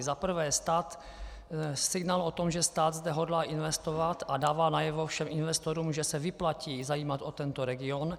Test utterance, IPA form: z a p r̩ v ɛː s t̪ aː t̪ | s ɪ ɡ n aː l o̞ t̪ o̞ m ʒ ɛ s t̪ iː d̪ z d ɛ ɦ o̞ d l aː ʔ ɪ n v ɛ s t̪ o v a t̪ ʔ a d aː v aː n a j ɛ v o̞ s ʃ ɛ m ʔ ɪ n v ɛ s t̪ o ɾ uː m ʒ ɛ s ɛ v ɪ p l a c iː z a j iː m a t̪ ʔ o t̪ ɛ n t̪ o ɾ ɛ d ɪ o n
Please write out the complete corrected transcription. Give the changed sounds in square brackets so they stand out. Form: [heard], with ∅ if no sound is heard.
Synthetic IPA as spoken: z a p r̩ v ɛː s t̪ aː t̪ | s ɪ ɡ n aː l o̞ t̪ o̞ m ʒ ɛ s t̪ [aː] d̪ z d ɛ ɦ o̞ d l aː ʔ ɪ n v ɛ s t̪ o v a t̪ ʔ a d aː v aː n a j ɛ v o̞ [f] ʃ ɛ m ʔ ɪ n v ɛ s t̪ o ɾ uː m ʒ ɛ s ɛ v ɪ p l a c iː z a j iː m a t̪ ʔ o t̪ ɛ n t̪ o ɾ ɛ [ɡ] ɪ o n